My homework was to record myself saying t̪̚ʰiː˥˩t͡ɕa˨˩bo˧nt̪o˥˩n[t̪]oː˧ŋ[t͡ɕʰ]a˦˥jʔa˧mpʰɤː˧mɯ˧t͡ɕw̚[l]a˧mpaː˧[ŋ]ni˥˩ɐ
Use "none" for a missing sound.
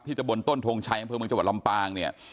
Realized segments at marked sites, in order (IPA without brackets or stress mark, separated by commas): t̪ʰ, t͡ɕʰ, l, ŋ